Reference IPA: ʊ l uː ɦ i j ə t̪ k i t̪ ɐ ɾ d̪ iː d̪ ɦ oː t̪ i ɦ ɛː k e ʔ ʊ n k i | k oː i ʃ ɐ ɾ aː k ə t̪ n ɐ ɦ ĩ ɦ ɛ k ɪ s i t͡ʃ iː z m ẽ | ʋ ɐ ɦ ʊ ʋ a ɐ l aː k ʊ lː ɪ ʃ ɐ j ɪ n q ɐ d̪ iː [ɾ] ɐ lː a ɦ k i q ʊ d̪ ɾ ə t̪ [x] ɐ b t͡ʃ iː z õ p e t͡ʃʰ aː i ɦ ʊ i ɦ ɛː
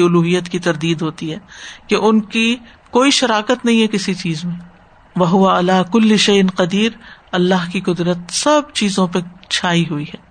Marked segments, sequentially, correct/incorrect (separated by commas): correct, incorrect